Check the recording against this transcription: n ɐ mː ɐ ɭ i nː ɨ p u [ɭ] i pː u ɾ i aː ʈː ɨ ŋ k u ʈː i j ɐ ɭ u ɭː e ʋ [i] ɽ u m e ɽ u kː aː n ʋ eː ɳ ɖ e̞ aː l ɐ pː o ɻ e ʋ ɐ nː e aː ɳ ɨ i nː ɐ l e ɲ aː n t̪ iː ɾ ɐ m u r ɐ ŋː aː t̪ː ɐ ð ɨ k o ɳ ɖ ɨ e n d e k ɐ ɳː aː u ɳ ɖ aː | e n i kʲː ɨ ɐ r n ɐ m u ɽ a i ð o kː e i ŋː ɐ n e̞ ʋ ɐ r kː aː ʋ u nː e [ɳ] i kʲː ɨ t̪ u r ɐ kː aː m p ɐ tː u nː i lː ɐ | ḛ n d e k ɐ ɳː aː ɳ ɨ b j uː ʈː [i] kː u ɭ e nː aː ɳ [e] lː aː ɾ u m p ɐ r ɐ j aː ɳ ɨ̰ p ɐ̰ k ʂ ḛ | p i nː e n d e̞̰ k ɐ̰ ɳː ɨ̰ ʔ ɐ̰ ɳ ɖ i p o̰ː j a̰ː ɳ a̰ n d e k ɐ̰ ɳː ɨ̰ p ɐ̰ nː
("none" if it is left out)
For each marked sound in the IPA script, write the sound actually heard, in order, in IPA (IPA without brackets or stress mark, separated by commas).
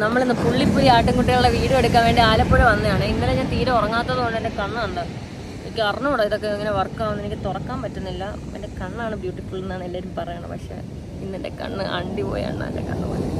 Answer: ɭː, iː, n, i, e